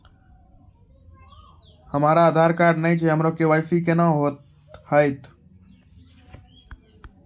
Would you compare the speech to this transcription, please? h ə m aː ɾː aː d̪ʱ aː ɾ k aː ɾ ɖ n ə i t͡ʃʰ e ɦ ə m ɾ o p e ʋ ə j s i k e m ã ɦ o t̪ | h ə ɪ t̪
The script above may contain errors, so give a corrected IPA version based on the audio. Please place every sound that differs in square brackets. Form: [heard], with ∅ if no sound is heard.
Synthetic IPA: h ə m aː [ɾ] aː d̪ʱ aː ɾ k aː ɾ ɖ n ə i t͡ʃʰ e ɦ ə m ɾ o [k] e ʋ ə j s i k e [n] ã ɦ o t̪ | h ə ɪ t̪